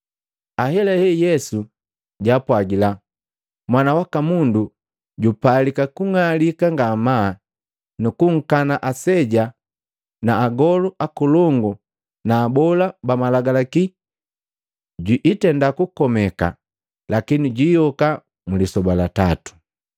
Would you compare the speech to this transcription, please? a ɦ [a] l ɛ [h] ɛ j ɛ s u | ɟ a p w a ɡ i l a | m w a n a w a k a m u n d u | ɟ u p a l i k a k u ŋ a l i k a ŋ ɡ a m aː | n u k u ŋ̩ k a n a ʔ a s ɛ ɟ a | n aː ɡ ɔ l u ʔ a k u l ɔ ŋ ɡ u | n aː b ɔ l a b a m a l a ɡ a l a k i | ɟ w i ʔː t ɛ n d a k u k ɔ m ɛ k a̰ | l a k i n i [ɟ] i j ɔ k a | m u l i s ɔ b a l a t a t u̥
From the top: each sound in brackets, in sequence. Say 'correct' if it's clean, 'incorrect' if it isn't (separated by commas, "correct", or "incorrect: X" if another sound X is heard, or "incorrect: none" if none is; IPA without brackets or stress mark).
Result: incorrect: ɛ, correct, correct